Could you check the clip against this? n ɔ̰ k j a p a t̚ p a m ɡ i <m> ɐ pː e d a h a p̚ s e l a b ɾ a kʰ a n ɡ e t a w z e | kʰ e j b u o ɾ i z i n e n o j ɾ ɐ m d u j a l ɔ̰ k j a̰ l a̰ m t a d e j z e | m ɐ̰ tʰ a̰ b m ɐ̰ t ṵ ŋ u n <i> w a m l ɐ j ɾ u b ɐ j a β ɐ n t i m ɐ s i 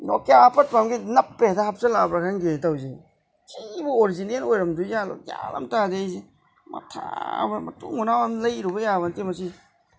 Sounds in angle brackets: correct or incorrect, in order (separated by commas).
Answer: incorrect, incorrect